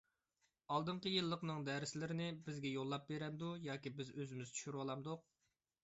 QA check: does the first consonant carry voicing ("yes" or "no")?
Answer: yes